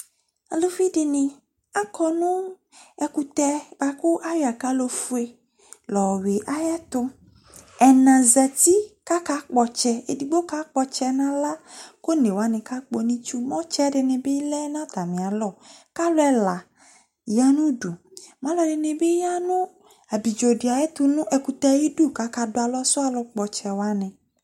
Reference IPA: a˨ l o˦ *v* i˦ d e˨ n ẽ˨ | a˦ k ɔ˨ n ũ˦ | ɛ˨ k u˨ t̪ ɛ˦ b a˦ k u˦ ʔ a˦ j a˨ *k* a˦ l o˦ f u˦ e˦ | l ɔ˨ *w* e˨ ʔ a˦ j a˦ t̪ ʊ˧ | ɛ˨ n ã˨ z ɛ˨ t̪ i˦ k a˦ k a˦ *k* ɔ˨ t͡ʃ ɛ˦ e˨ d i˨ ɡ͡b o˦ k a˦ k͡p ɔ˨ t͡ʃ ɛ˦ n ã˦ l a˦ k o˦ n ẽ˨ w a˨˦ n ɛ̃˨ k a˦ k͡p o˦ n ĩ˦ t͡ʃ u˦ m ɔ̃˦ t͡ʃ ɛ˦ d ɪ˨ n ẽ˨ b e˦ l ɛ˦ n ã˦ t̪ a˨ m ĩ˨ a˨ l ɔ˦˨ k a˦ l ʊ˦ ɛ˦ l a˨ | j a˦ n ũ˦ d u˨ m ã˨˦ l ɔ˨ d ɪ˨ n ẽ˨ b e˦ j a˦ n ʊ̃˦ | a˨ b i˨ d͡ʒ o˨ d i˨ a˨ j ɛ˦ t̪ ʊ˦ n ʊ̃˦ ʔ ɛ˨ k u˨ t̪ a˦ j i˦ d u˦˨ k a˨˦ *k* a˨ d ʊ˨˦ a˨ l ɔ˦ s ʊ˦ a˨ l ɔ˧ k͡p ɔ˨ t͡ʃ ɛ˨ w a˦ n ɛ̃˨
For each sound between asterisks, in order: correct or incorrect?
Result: incorrect, correct, correct, incorrect, correct

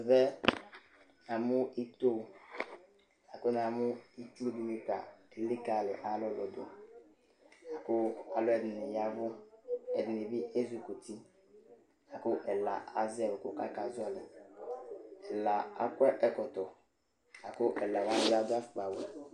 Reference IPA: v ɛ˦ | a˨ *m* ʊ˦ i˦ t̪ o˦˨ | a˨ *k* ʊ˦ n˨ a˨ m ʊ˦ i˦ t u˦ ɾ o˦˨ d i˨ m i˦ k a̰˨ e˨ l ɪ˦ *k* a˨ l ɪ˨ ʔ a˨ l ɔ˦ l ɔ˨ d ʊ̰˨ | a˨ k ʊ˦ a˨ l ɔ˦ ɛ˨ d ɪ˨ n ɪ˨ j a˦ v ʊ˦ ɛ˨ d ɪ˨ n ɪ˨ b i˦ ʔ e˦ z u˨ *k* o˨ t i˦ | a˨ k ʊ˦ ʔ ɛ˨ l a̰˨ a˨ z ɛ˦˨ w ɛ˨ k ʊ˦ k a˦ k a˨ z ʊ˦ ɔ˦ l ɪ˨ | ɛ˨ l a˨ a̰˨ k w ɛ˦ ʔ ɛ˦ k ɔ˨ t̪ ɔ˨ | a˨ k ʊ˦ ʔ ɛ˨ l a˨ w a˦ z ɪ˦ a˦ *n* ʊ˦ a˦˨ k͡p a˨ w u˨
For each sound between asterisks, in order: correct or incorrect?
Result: correct, correct, correct, correct, incorrect

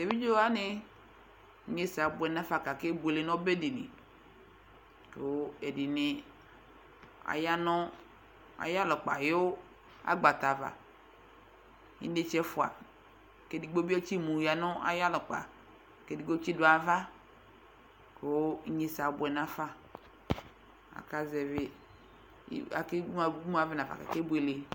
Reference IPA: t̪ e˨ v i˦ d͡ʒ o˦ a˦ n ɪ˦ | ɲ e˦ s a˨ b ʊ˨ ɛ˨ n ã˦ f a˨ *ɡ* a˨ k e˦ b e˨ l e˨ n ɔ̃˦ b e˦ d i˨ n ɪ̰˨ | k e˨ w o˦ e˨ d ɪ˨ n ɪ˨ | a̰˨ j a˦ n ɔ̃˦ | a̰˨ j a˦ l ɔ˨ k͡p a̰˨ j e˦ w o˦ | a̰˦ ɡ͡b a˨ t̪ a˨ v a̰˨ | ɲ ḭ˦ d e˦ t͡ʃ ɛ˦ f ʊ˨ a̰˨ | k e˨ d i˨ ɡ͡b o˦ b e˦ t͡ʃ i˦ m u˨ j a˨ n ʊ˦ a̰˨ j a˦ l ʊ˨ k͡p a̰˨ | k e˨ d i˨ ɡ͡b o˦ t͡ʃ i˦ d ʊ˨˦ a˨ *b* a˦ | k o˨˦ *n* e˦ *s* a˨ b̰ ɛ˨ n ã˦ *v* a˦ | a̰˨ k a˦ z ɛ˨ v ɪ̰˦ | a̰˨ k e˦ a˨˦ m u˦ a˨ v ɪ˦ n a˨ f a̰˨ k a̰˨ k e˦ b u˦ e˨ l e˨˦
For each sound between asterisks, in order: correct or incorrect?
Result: incorrect, incorrect, incorrect, correct, incorrect

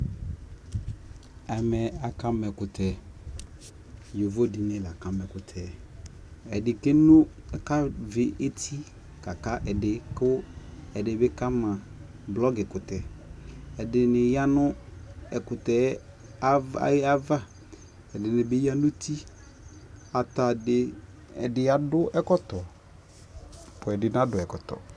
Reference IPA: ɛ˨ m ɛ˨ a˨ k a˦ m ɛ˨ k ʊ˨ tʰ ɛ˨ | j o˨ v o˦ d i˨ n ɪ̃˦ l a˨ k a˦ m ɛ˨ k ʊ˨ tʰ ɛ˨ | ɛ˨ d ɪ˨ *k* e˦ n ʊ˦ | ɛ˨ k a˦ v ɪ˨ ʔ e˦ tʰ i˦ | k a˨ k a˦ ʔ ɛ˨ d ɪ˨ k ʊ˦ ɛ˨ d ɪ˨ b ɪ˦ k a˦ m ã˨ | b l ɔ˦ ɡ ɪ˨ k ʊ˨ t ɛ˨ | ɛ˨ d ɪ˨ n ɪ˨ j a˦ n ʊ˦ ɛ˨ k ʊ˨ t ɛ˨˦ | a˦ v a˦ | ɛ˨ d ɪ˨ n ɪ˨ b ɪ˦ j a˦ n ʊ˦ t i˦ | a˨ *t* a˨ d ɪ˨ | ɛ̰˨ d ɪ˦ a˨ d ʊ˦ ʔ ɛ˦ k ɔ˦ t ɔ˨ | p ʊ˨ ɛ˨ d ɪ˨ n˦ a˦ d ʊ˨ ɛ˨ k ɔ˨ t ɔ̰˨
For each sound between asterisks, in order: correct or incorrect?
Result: correct, correct

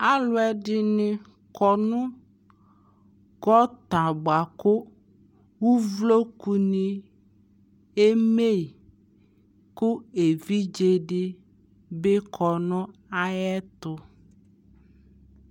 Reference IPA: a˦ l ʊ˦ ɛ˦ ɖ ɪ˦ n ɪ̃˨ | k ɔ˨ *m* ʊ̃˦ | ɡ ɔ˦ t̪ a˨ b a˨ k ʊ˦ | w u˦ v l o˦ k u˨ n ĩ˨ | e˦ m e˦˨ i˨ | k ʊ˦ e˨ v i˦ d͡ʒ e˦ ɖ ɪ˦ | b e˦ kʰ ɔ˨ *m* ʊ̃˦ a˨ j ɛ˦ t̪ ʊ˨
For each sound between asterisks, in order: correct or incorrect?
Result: incorrect, incorrect

